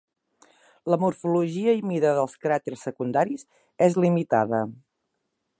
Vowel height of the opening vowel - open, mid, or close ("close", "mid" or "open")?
mid